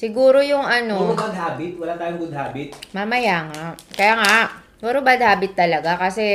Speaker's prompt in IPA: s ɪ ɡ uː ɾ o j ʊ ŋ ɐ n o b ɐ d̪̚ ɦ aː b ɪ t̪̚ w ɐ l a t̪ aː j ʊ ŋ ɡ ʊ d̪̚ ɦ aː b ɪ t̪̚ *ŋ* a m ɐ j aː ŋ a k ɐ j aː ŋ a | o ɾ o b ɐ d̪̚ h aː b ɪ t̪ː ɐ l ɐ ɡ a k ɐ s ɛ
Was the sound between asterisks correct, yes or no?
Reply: no